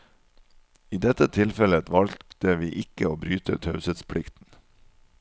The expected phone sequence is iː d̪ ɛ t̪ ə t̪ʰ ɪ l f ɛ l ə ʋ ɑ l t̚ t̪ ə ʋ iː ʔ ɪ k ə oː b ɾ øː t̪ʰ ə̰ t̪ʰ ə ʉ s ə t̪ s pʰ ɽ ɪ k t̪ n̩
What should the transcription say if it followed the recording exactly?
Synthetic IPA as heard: iː d̪ ɛ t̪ ə t̪ʰ ɪ l f ɛ l ə ʋ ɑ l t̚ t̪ ə ʋ iː ʔ ɪ k ə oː b ɾ yː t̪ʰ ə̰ t̪ʰ ɑ ʉ s ə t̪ s pʰ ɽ ɪ k t̪ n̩